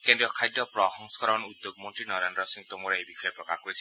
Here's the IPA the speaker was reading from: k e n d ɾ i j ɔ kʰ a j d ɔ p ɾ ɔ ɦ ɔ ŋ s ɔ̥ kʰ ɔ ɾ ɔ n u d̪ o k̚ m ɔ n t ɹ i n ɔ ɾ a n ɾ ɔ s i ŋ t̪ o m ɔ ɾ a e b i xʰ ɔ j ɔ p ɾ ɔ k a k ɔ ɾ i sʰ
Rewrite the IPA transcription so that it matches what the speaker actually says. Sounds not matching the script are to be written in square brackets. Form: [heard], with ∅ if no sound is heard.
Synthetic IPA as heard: k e n d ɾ i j ɔ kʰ a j d ɔ p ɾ ɔ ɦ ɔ ŋ s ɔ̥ [k] ɔ ɾ ɔ n u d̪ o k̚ m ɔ n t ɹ i n ɔ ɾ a n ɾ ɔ s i ŋ t̪ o m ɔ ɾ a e b i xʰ ɔ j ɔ p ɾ ɔ k a k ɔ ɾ i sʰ